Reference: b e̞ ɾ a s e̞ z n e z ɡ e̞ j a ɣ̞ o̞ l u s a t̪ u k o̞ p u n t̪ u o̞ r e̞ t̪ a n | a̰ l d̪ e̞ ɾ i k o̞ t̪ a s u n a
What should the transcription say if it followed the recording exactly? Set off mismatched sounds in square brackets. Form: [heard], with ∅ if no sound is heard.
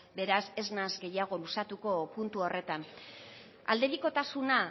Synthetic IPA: b e̞ ɾ a s e̞ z n [a] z ɡ e̞ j a ɣ̞ o̞ l u s a t̪ u k o̞ p u n t̪ u o̞ r e̞ t̪ a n | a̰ l d̪ e̞ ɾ i k o̞ t̪ a s u n a

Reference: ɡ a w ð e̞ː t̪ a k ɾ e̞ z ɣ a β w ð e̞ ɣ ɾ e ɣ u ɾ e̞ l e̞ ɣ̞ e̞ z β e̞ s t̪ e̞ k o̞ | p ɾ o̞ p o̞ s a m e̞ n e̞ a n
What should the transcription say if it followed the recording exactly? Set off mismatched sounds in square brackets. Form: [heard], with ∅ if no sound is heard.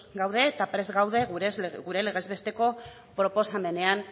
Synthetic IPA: ɡ a w ð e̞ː t̪ a [p] ɾ e̞ z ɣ a [∅] w ð e̞ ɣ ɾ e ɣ u ɾ e̞ l e̞ ɣ̞ e̞ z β e̞ s t̪ e̞ k o̞ | p ɾ o̞ p o̞ s a m e̞ n e̞ a n

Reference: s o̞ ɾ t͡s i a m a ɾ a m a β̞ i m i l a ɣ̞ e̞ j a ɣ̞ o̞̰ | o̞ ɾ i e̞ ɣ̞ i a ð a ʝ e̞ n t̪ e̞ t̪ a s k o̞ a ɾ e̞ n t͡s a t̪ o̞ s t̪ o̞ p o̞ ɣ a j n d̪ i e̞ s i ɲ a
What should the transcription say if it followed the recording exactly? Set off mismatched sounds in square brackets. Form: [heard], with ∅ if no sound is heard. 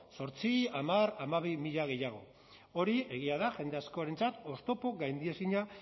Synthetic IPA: s o̞ ɾ t͡s i a m a ɾ a m a β̞ i m i [ʎ] a ɣ̞ e̞ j a ɣ̞ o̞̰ | o̞ ɾ i e̞ ɣ̞ i a ð a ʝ e̞ n [d̪] e̞ [∅] a s k o̞ a ɾ e̞ n t͡s a t̪ o̞ s t̪ o̞ p o̞ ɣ a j n d̪ i e̞ s i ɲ a

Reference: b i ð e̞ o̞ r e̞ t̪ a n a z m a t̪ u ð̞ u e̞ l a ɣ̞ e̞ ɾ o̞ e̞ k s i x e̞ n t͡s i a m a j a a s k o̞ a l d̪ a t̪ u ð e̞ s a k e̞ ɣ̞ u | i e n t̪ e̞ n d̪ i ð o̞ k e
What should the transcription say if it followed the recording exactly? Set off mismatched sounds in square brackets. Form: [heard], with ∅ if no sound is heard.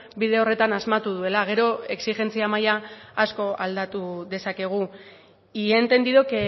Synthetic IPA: b i ð e̞ o̞ r e̞ t̪ a n a z m a t̪ u ð̞ u e̞ l a ɣ̞ e̞ ɾ o̞ e̞ k s i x e̞ n t͡s i a m a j a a s k o̞ a l d̪ a t̪ u ð e̞ s a k e̞ ɣ̞ u | i e n t̪ e̞ n d̪ i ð o̞ k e

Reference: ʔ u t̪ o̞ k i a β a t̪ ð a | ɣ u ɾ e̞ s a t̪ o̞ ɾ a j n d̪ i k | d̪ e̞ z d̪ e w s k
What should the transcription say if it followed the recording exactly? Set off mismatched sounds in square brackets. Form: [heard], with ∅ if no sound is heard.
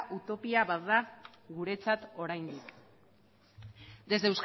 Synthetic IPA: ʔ u t̪ o̞ [p] i a β a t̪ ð a | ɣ u ɾ e̞ [t͡s] a t̪ o̞ ɾ a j n d̪ i k | d̪ e̞ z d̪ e w s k

